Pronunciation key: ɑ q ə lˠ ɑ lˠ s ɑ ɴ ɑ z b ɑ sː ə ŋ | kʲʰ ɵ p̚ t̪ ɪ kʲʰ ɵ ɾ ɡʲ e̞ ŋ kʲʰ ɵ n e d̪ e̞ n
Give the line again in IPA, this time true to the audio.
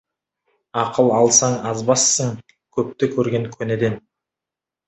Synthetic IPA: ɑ q ə lˠ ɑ lˠ s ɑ ɴ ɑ z b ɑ sː ə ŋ | kʲʰ ɵ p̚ t̪ ɪ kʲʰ ɵ ɾ ɡʲ e̞ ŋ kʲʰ ɵ n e d̪ e̞ n

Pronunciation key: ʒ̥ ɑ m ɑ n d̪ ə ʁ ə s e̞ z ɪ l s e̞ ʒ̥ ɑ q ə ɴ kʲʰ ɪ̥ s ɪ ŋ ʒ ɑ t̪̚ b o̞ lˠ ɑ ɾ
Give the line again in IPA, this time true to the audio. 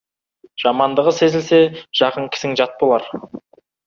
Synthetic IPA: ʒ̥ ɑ m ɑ n d̪ ə ʁ ə s e̞ z ɪ l s e̞ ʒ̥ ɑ q ə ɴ kʲʰ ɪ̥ s ɪ ŋ ʒ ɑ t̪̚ b o̞ lˠ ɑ ɾ

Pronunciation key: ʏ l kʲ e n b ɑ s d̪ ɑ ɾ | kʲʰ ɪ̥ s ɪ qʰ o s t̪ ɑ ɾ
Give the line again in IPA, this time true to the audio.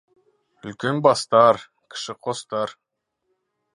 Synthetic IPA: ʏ l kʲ e n b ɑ s t̪ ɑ ɾ | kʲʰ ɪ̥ ʃ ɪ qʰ o s t̪ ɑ ɾ

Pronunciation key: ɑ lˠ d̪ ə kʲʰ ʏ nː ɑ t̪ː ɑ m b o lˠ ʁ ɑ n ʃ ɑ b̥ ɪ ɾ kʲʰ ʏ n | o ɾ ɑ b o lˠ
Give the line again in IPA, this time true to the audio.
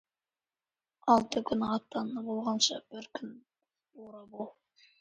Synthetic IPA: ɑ lˠ t̪ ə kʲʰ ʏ n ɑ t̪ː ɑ n b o lˠ ʁ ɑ n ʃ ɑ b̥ ɪ ɾ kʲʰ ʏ n | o ɾ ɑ b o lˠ

